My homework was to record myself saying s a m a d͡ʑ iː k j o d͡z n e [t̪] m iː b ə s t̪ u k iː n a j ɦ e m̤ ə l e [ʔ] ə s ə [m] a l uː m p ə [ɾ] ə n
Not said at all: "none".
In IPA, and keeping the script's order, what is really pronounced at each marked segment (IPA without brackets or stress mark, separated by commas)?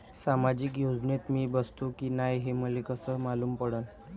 t̪, k, m, ɽ